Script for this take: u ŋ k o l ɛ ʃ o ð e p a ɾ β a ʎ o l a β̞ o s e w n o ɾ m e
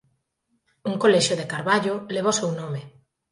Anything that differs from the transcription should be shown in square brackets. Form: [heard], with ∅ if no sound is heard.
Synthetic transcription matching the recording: u ŋ k o l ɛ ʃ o ð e [k] a ɾ β a ʎ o l [e] β̞ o s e w n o [∅] m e